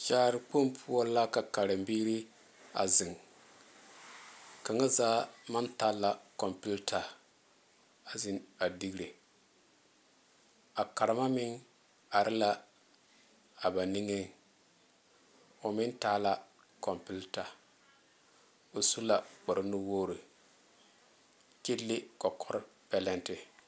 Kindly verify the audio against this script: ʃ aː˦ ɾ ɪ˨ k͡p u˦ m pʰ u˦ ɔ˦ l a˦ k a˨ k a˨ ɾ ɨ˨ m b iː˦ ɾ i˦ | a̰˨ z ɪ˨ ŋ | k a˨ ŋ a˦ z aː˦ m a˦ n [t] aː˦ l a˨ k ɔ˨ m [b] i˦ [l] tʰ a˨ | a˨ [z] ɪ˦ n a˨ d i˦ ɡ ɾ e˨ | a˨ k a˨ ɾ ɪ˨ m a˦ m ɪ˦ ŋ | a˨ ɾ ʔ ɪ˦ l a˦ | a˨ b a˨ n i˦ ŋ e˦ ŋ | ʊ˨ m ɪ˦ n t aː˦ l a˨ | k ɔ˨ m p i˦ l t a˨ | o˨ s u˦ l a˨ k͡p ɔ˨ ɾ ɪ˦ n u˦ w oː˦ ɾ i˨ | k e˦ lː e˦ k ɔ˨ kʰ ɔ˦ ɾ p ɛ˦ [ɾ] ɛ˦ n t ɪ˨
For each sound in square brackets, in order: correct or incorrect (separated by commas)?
correct, incorrect, correct, correct, incorrect